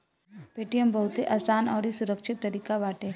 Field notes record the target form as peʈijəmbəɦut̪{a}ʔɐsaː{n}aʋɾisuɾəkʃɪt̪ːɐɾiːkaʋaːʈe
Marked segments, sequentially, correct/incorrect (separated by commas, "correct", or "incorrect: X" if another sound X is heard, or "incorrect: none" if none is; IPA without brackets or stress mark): incorrect: e, correct